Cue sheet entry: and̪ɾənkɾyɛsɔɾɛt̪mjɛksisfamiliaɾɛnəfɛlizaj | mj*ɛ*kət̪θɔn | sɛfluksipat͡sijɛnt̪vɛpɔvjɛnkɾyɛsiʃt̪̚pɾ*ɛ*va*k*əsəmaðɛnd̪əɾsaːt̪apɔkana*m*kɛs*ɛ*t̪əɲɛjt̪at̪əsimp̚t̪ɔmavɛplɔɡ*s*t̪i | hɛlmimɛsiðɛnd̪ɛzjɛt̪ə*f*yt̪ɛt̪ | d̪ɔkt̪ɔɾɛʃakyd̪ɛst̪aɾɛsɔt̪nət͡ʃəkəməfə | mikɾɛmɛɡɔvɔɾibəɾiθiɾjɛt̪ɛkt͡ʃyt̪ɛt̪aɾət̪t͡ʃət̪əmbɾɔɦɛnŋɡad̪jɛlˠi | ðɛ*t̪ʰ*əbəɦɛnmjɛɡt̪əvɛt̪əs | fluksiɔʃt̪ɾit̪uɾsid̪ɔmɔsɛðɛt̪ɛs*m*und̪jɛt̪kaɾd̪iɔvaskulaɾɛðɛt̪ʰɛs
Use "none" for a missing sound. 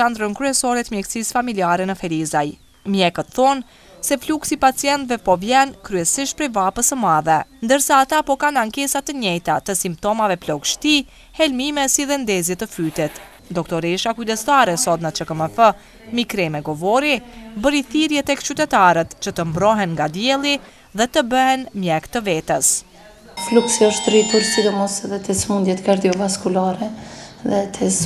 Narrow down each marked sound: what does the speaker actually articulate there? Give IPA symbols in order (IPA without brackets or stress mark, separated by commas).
ɛ, ɛ, p, ŋ, a, ʃ, f, t̪, m